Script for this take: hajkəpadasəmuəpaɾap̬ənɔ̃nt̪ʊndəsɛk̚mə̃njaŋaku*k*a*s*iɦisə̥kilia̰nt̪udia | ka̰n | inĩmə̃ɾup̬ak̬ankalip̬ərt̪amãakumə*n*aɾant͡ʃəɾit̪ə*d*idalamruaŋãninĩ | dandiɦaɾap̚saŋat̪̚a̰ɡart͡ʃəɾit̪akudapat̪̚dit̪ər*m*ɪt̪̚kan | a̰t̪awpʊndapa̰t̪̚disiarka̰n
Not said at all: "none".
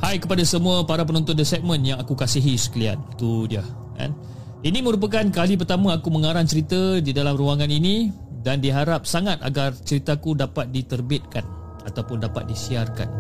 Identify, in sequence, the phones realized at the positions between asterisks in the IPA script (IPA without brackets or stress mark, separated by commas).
k, s, ŋ, d, b